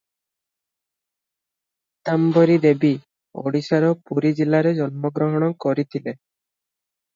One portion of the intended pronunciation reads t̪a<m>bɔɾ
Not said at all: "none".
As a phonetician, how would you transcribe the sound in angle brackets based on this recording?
m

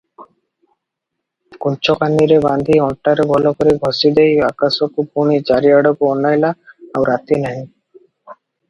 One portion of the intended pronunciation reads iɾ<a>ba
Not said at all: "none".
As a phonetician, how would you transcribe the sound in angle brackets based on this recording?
e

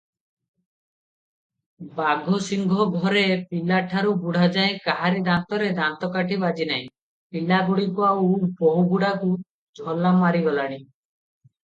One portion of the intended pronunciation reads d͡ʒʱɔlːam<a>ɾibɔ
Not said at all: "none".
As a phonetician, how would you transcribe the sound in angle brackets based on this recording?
a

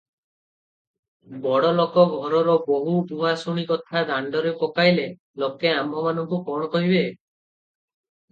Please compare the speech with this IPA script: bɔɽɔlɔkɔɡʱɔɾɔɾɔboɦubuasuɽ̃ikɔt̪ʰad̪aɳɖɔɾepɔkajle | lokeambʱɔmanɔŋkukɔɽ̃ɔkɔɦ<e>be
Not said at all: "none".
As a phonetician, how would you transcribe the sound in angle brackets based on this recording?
i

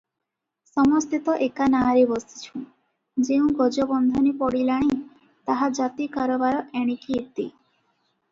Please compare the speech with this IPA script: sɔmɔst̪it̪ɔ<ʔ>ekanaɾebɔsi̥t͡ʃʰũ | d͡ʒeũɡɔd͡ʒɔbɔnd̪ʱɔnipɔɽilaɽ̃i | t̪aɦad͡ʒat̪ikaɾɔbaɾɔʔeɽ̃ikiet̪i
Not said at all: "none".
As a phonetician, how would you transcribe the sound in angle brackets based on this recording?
ʔ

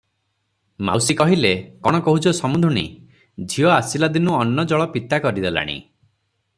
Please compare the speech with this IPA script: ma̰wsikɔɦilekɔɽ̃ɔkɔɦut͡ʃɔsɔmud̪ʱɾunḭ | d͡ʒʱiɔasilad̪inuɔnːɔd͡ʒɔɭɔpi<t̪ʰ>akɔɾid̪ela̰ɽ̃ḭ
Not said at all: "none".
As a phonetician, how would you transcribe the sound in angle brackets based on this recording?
t̪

